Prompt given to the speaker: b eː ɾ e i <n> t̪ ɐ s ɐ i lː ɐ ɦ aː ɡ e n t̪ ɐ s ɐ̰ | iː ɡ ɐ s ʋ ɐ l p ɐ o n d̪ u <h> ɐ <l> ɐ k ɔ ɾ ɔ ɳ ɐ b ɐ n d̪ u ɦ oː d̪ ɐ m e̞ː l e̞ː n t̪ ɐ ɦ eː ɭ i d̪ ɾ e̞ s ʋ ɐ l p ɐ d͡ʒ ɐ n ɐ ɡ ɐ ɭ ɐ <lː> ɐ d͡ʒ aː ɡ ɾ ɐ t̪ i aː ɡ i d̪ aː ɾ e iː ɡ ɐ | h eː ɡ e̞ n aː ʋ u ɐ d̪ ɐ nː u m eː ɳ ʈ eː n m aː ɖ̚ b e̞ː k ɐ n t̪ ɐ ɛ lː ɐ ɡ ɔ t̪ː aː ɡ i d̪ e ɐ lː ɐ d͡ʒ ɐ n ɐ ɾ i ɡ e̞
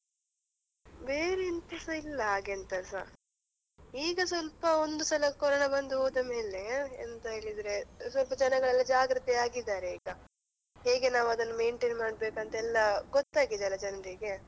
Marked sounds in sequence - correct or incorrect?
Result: correct, incorrect: s, correct, correct

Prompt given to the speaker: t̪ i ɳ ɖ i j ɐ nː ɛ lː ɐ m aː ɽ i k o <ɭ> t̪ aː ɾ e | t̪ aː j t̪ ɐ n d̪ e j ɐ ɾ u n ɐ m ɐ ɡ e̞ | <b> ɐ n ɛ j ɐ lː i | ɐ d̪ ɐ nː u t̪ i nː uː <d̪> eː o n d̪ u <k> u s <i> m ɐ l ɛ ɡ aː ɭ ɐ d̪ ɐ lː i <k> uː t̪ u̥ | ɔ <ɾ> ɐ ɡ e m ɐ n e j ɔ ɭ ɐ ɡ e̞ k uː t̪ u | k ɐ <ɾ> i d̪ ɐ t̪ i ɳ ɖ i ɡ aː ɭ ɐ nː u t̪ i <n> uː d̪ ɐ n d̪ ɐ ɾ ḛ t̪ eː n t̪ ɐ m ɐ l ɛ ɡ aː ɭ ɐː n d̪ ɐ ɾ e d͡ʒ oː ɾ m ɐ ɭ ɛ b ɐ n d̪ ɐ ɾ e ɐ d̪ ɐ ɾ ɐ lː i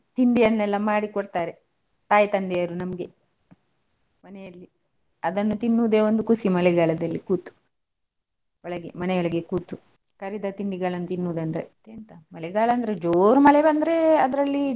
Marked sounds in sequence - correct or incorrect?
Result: incorrect: ɽ, incorrect: m, correct, correct, correct, correct, incorrect: ɭ, correct, incorrect: nː

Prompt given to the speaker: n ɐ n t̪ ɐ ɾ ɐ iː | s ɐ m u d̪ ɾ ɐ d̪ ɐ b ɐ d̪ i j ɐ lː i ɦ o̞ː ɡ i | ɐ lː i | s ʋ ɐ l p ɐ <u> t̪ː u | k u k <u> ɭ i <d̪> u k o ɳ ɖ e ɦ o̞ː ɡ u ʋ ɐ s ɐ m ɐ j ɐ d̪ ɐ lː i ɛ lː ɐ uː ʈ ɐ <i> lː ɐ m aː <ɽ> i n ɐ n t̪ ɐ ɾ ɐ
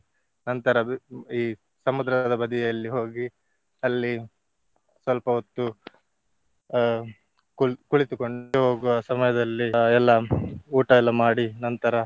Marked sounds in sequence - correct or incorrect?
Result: incorrect: o, correct, incorrect: t̪, incorrect: ɛ, correct

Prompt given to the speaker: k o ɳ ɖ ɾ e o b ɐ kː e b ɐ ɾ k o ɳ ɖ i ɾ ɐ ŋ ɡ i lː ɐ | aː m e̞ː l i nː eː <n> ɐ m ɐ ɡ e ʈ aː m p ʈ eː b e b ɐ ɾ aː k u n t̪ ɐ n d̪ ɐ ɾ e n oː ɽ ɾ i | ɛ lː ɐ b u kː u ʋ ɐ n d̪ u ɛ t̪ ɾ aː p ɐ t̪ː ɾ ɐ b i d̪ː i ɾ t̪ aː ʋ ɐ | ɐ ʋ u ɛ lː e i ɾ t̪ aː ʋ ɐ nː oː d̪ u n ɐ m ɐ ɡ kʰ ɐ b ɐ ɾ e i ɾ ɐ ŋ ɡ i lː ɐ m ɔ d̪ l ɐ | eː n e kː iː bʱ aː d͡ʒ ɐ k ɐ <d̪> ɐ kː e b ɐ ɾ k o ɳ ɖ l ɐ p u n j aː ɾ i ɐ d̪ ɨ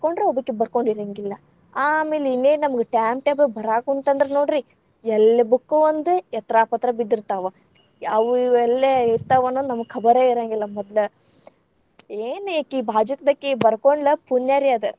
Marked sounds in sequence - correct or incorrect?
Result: correct, correct

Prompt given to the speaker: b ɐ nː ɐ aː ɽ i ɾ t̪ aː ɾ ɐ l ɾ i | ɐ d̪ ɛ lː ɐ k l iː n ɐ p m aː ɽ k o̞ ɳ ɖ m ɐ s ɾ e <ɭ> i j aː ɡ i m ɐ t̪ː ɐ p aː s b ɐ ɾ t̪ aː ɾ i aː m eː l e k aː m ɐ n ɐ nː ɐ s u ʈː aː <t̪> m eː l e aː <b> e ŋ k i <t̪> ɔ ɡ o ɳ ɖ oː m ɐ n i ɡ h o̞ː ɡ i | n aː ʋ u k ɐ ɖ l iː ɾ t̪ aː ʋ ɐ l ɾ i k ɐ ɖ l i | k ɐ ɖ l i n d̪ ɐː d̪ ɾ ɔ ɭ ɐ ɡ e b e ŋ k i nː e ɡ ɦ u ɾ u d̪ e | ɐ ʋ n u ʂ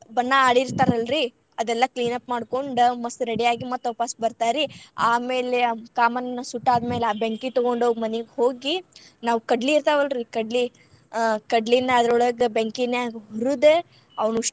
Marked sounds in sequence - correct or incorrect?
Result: incorrect: ɽ, incorrect: d̪, correct, correct

